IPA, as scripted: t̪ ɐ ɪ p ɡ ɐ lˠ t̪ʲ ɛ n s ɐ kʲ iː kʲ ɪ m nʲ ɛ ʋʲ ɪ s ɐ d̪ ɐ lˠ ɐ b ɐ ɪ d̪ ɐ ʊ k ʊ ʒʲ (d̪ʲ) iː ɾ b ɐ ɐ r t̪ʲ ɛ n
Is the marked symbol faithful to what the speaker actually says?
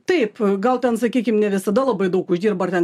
yes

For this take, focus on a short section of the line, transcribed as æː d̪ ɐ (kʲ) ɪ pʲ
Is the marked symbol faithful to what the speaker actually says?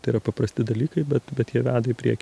no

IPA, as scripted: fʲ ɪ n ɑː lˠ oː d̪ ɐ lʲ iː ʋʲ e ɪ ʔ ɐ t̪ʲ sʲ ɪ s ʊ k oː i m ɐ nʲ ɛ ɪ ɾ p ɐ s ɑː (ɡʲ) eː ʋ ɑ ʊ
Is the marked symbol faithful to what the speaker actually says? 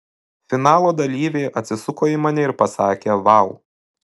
no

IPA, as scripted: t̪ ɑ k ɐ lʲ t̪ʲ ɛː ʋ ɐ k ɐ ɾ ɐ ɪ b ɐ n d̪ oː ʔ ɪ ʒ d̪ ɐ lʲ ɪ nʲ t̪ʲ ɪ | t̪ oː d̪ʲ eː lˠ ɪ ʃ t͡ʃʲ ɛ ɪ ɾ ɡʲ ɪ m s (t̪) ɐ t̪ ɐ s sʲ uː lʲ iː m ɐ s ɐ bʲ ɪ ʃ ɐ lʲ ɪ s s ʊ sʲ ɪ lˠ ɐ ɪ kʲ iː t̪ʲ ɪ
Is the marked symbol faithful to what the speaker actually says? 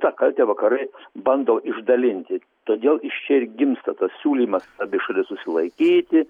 yes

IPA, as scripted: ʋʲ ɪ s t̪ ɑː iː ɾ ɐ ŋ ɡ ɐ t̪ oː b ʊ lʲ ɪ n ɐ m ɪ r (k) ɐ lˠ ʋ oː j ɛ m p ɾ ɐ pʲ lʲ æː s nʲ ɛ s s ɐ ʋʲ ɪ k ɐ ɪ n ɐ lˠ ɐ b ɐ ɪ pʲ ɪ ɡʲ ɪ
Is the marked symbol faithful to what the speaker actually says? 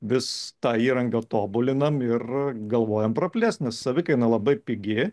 no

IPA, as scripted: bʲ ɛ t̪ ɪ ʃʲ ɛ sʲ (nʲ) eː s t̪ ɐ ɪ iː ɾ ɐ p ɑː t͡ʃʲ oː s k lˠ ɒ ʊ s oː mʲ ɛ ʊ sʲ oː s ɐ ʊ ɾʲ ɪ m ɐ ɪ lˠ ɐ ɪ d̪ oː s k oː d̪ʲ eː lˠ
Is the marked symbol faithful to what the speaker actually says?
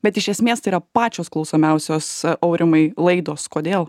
no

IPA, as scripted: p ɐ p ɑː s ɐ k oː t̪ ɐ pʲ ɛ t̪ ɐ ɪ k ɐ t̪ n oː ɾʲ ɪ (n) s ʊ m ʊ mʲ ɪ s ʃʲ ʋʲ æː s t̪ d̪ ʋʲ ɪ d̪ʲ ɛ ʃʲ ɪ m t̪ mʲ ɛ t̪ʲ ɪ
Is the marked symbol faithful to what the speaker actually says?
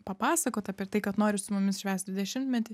no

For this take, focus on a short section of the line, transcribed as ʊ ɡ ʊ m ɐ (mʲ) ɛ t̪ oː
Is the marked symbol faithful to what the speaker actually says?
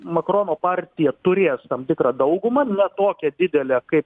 no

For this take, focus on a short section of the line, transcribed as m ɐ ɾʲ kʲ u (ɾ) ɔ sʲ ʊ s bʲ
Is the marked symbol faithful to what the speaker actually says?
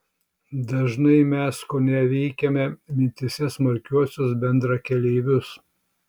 no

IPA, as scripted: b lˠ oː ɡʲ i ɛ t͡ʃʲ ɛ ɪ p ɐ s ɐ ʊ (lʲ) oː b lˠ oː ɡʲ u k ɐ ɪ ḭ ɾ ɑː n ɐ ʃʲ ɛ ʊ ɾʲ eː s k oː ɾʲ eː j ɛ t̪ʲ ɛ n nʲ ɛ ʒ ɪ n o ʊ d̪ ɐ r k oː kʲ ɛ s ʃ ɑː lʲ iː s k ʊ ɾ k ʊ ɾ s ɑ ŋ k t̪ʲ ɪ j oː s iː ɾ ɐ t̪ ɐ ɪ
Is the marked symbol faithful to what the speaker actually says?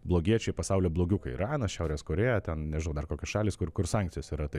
yes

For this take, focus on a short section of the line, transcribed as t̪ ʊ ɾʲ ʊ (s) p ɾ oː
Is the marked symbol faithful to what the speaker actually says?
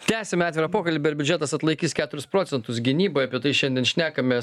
yes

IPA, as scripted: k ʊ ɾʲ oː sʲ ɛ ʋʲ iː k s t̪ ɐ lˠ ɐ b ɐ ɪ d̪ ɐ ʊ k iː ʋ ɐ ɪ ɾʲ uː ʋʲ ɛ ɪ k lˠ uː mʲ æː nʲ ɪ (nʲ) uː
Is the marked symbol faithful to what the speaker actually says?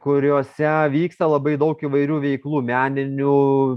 yes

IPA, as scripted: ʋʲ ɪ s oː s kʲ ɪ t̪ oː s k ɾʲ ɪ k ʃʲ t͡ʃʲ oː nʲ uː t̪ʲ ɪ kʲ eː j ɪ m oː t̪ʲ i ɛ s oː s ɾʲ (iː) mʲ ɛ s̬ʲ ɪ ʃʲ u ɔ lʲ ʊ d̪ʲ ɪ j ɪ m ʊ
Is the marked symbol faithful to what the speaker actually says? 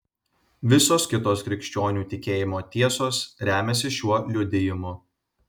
no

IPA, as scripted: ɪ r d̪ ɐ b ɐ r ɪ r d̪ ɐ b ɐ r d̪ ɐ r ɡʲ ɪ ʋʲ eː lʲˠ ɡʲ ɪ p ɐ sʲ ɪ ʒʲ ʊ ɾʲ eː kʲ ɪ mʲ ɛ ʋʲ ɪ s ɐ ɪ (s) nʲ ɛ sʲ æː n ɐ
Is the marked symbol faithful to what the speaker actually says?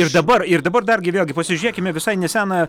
no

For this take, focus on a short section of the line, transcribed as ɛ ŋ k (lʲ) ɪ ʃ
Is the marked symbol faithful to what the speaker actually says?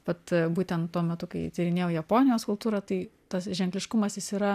yes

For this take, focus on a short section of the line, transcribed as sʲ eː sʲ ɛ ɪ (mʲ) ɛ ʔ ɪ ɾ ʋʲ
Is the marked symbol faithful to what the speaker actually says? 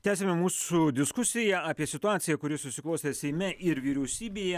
yes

